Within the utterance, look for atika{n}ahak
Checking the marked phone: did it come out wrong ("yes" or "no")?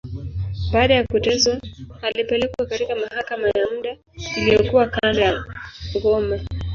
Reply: yes